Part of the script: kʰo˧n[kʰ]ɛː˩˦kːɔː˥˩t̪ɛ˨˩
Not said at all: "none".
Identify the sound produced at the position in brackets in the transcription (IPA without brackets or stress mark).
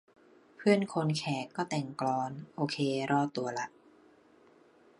kʰ